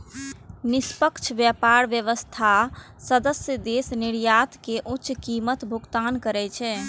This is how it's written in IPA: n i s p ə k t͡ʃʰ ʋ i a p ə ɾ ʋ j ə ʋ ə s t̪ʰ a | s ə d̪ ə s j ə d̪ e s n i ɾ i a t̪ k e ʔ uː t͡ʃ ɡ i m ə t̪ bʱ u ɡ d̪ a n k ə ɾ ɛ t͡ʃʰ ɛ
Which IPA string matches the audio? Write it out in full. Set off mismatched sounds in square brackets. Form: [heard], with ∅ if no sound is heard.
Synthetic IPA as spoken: n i s p ə k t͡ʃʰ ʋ [j] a p [a] ɾ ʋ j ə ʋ ə s t̪ʰ a | s ə d̪ ə s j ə d̪ e s n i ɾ [j] a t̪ k e ʔ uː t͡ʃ [k] i m ə t̪ bʱ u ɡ [t̪] a n k ə ɾ ɛ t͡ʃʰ ɛ